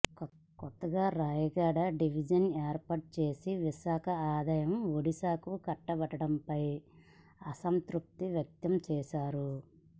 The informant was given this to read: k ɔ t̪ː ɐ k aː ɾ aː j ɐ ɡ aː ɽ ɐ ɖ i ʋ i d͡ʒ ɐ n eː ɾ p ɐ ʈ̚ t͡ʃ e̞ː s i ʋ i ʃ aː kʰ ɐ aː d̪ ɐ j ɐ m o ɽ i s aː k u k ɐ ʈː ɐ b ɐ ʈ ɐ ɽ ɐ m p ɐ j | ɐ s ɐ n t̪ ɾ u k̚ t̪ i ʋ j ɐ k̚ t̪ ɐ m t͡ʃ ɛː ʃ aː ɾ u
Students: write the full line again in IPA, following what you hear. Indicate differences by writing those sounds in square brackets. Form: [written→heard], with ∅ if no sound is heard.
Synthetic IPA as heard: k ɔ t̪ː ɐ [k→ɡ] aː ɾ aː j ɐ ɡ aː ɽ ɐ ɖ i ʋ i d͡ʒ ɐ n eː ɾ p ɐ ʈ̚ t͡ʃ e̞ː s i ʋ i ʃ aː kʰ ɐ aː d̪ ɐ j ɐ m o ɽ i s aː k u k ɐ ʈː ɐ b ɐ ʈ ɐ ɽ ɐ m p ɐ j | ɐ s ɐ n t̪ ɾ u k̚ t̪ i ʋ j ɐ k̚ t̪ ɐ m t͡ʃ ɛː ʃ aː ɾ u